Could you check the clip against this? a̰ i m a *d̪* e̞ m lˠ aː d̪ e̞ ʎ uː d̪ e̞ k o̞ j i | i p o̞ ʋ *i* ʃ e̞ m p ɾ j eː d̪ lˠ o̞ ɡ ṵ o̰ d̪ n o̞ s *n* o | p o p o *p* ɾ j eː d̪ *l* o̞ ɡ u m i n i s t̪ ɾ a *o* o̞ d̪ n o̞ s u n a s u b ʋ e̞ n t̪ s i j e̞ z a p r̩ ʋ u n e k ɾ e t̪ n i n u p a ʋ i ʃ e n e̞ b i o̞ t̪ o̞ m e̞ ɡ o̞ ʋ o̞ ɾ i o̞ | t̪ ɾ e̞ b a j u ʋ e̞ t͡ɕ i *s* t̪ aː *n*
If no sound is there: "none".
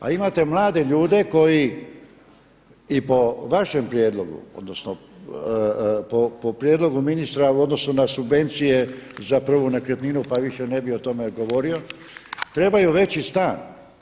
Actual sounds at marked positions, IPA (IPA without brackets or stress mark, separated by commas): t̪, a, n, p, l, u, s, n